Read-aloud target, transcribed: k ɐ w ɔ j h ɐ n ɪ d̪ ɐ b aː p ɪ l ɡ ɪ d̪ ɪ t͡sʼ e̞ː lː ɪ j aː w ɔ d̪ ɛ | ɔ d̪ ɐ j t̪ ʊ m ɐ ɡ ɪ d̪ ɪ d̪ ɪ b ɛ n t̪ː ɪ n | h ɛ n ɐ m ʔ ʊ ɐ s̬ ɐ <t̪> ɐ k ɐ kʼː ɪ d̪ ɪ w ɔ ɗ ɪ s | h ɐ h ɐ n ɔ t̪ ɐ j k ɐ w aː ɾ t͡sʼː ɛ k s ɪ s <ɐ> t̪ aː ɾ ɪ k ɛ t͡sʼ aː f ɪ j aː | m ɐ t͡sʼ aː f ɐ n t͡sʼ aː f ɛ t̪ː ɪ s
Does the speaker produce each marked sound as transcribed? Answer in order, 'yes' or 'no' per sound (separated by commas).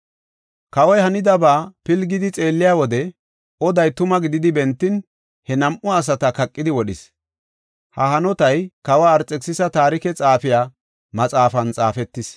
yes, yes